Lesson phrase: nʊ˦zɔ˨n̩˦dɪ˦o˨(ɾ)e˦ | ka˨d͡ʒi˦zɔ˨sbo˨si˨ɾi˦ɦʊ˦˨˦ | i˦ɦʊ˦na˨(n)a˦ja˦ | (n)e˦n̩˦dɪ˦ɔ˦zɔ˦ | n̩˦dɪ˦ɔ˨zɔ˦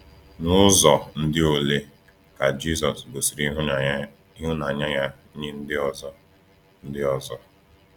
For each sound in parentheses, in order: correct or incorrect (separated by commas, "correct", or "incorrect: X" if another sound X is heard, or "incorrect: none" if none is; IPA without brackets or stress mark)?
incorrect: l, incorrect: ɲ, incorrect: ɲ